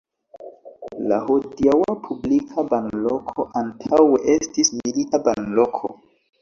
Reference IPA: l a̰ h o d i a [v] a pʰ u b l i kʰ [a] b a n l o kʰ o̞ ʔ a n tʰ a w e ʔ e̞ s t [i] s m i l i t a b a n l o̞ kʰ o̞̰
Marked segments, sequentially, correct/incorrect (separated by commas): incorrect, correct, correct